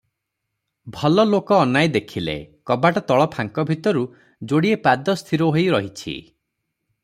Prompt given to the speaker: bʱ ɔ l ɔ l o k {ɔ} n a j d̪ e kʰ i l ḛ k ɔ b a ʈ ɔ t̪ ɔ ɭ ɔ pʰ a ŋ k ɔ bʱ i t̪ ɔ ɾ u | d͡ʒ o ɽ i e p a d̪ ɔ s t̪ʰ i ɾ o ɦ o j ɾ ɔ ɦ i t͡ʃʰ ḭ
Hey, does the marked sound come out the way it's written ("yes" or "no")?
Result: no